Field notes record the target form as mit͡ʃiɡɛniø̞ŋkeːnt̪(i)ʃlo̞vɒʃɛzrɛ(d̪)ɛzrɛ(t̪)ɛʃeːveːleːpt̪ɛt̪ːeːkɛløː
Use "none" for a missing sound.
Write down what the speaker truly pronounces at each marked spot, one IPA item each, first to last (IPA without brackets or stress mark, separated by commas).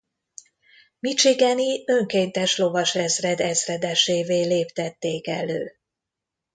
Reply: ɛ, d̪, d̪